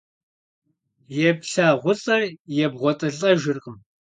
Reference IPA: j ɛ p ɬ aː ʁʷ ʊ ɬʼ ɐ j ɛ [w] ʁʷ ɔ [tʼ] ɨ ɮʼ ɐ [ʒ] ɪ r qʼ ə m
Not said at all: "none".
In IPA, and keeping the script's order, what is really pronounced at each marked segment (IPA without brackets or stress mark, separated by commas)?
b, tʼ, ʒ